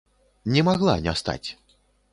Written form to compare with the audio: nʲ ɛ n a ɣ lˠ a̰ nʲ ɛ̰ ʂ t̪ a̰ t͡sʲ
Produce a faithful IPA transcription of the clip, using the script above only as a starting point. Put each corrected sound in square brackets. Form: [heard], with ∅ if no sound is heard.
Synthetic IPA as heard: nʲ ɛ [m] a ɣ lˠ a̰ nʲ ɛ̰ [s] t̪ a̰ t͡sʲ

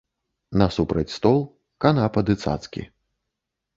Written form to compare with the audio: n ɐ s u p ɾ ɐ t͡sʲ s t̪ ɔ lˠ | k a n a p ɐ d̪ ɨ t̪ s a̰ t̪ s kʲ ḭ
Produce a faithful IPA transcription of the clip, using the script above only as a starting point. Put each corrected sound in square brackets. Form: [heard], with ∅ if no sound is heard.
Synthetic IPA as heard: n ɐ s u p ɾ ɐ t͡sʲ s t̪ ɔ lˠ | k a n a p ɐ d̪ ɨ t̪ s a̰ t̪ s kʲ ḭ

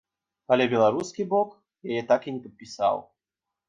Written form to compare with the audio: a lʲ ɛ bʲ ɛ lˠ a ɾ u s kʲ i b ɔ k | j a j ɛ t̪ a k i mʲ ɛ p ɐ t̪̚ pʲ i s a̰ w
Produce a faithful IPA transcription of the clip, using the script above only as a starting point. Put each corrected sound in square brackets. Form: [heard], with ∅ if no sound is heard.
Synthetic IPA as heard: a lʲ ɛ bʲ ɛ lˠ a ɾ u s kʲ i b ɔ k | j a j ɛ t̪ a k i [nʲ] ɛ p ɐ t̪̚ pʲ i s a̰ w

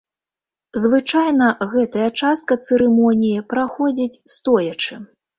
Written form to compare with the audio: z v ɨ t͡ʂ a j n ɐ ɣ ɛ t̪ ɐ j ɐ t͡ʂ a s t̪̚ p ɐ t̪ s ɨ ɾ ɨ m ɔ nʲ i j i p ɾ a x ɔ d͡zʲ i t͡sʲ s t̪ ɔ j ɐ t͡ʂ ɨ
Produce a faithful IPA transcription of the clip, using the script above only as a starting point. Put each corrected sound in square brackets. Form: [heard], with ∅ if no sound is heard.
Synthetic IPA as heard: z v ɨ t͡ʂ a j n ɐ ɣ ɛ t̪ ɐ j ɐ t͡ʂ a s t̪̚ [k] ɐ t̪ s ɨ ɾ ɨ m ɔ nʲ i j i p ɾ a x ɔ d͡zʲ i t͡sʲ s t̪ ɔ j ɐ t͡ʂ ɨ

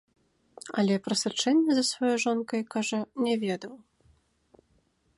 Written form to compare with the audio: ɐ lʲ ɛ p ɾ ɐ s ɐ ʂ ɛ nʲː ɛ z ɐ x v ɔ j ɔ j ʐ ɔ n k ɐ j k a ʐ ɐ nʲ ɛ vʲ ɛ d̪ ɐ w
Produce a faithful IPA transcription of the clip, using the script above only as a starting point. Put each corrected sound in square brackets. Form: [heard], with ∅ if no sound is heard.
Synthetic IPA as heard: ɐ lʲ ɛ p ɾ ɐ s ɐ [t͡ʂ] ɛ nʲː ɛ z ɐ [s] v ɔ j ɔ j ʐ ɔ n k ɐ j k a ʐ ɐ nʲ ɛ vʲ ɛ d̪ ɐ w

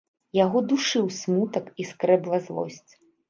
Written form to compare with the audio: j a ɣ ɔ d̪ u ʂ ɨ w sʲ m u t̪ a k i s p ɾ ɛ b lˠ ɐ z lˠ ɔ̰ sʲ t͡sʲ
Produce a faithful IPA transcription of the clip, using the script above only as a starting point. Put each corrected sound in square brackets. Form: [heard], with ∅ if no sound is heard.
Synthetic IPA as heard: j a ɣ ɔ d̪ u ʂ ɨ w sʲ m u t̪ [ɐ] k i s [k] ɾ ɛ b lˠ ɐ z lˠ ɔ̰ sʲ t͡sʲ

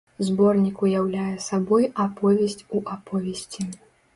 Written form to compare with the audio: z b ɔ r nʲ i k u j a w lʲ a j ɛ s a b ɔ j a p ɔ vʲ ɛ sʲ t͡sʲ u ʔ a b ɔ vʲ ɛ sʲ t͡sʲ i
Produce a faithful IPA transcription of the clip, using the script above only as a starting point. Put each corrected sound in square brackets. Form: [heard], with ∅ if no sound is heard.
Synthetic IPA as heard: z b ɔ r nʲ i k u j a w lʲ a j ɛ s a b ɔ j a p ɔ vʲ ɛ sʲ t͡sʲ u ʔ a [p] ɔ vʲ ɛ sʲ t͡sʲ i

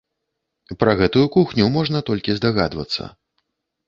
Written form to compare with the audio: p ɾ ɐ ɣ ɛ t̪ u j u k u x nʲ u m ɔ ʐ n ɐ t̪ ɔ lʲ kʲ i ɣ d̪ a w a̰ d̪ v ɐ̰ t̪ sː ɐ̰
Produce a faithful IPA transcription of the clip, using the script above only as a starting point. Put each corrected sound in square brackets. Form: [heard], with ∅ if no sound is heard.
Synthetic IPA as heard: p ɾ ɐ ɣ ɛ t̪ u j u k u x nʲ u m ɔ ʐ n ɐ t̪ ɔ lʲ kʲ i [z] d̪ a [ɣ] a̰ d̪ v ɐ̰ t̪ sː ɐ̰

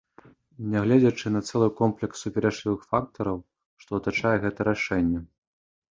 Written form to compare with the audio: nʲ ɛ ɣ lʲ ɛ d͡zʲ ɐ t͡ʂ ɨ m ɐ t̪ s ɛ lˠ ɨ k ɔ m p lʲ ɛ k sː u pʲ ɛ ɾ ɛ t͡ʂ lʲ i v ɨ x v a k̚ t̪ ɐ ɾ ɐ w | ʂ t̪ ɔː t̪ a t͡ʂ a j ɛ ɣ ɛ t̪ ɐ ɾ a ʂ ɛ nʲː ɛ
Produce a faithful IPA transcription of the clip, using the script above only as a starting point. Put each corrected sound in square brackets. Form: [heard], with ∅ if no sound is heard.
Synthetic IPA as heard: nʲ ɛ ɣ lʲ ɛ d͡zʲ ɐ t͡ʂ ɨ [n] ɐ t̪ s ɛ lˠ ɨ k ɔ m p lʲ ɛ k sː u pʲ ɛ ɾ ɛ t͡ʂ lʲ i v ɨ x [f] a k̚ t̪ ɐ ɾ ɐ w | ʂ t̪ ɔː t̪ a t͡ʂ a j ɛ ɣ ɛ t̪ ɐ ɾ a ʂ ɛ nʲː ɛ

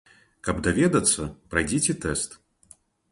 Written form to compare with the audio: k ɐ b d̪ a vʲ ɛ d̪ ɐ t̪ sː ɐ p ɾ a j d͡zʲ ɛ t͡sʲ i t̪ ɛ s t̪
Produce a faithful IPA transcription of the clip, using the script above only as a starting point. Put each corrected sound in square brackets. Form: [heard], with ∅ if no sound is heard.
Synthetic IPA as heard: k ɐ b d̪ a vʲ ɛ d̪ ɐ t̪ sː ɐ p ɾ a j d͡zʲ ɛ t͡sʲ [ɛ] t̪ ɛ s t̪

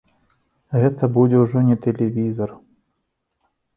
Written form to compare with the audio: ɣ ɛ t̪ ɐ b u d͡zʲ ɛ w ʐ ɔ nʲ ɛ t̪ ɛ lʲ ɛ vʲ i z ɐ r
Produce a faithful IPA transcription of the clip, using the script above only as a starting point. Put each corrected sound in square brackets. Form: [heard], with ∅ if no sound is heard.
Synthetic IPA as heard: ɣ ɛ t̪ ɐ b u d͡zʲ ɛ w ʐ ɔ nʲ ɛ t̪ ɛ lʲ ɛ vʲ i z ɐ r

